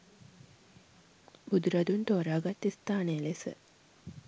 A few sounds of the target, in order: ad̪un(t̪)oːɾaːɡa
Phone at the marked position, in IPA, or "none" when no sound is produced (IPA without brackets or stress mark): t̪